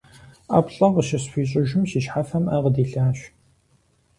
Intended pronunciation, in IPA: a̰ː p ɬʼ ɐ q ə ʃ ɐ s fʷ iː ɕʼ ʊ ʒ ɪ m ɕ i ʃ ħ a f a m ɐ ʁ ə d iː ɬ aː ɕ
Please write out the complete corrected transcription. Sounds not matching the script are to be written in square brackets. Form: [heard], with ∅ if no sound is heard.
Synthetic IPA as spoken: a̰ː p ɬʼ ɐ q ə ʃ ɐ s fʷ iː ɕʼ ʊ ʒ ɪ m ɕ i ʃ ħ a f [ɐ] m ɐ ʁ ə d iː ɬ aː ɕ